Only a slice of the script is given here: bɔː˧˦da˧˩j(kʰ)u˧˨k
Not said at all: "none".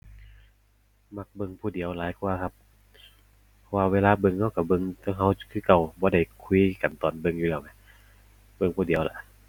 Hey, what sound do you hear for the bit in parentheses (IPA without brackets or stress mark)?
kʰ